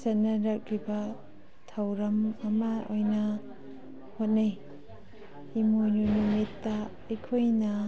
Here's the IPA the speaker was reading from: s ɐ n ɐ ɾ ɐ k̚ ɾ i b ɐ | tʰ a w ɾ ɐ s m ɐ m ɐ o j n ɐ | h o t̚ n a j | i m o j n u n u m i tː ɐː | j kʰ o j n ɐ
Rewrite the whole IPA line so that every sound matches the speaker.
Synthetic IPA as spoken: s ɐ n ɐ ɾ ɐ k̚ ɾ i b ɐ | tʰ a w ɾ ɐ m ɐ m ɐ o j n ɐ | h o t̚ n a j | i m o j n u n u m i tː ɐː | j kʰ o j n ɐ